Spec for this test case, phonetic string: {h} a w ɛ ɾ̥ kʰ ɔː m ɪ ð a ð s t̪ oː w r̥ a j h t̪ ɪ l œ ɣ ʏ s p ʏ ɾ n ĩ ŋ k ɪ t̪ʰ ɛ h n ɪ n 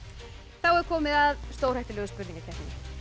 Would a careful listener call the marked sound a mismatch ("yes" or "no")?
yes